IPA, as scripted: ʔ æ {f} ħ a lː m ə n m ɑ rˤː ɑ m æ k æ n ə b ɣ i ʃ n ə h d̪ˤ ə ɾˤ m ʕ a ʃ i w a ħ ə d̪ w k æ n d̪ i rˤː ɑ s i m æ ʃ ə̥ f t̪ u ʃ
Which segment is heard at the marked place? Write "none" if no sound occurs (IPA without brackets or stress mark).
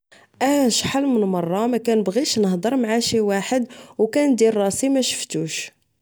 ʃ